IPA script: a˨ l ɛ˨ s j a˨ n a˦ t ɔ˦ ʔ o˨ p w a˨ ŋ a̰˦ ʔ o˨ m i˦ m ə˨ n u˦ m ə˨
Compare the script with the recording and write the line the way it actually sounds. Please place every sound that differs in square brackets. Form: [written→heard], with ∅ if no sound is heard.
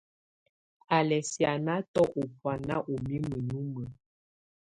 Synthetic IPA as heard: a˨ l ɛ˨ s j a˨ n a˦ t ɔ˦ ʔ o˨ p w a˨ [ŋ→n] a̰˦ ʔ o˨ m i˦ m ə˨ n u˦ m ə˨